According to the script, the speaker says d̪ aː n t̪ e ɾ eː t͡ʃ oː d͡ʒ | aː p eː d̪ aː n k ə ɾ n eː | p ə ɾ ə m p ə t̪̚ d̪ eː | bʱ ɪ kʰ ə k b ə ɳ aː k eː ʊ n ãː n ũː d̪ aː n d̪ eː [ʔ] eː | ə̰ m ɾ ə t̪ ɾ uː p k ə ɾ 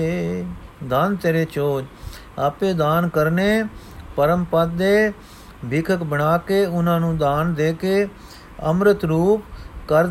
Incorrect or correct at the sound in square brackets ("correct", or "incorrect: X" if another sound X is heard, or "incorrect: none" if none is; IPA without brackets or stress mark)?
incorrect: k